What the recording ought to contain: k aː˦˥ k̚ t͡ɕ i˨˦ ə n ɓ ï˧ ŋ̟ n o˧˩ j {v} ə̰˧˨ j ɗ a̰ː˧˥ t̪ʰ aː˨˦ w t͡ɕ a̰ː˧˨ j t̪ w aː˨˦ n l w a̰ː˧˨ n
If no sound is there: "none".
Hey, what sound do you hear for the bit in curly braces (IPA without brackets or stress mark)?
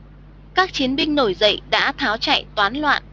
z